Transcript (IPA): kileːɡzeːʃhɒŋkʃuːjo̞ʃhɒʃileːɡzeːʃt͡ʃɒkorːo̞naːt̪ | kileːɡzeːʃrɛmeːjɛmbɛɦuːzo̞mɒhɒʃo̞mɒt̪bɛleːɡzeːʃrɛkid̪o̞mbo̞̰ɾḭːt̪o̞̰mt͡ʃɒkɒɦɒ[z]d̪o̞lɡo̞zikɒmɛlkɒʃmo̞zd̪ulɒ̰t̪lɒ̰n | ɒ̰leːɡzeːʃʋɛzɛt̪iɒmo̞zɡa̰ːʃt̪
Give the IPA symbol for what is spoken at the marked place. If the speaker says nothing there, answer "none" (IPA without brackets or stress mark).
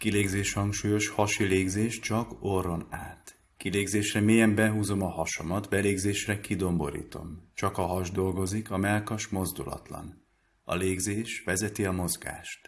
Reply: ʒ